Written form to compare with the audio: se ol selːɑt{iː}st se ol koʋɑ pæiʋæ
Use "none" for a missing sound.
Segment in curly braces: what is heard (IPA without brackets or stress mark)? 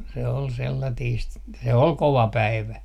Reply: iː